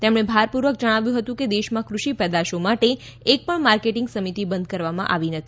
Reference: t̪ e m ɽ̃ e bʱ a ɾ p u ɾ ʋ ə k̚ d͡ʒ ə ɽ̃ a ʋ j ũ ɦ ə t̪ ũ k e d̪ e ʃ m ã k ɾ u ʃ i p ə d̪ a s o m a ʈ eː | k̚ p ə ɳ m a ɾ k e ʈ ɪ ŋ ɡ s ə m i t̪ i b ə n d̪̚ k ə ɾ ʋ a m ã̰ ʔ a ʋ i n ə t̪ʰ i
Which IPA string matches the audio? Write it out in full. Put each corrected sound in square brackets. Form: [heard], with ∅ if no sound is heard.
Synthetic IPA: t̪ e m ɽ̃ e bʱ a ɾ p u ɾ ʋ ə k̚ d͡ʒ ə ɽ̃ a ʋ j ũ ɦ ə t̪ ũ k e d̪ e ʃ m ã k ɾ u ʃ i p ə d̪ a [ʃ] o m a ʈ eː | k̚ p ə ɳ m a ɾ k e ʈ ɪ ŋ ɡ s ə m i t̪ i b ə n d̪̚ k ə ɾ ʋ a m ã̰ ʔ a ʋ i n ə t̪ʰ i